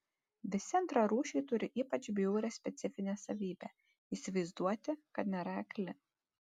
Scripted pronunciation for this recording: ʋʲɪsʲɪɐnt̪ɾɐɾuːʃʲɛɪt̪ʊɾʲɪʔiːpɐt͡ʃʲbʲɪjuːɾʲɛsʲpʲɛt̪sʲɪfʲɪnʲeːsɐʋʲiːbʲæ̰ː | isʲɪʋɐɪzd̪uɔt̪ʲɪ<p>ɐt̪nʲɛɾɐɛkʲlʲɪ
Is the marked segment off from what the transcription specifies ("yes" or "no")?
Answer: yes